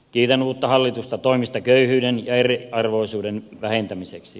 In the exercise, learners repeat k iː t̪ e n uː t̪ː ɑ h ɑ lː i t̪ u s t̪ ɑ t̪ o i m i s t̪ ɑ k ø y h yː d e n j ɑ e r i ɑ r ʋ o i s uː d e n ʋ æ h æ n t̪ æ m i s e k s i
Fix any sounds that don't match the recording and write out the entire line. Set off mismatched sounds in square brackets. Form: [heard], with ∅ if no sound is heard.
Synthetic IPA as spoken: k iː t̪ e n uː t̪ː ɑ h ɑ lː i t̪ u s t̪ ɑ t̪ o i m i s t̪ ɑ k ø y h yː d e n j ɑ e r i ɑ r ʋ o i s uː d e n ʋ æ h [e] n t̪ æ m i s e k s i